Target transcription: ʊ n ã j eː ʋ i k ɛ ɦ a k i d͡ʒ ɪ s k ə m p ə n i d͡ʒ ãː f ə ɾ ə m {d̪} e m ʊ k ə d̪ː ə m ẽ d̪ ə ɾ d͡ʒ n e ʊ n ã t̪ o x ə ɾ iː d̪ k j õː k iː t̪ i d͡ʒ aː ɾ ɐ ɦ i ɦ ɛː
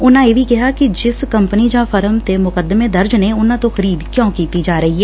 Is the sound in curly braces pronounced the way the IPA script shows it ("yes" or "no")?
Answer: no